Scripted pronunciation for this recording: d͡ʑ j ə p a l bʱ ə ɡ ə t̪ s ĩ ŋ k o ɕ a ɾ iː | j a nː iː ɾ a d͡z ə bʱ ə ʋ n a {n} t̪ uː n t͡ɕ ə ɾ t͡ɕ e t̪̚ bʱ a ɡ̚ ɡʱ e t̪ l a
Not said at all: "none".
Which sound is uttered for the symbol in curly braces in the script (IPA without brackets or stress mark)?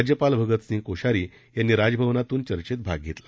none